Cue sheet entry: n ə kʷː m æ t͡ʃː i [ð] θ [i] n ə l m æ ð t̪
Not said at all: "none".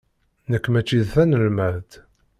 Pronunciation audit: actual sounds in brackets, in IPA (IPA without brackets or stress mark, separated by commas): ð, æ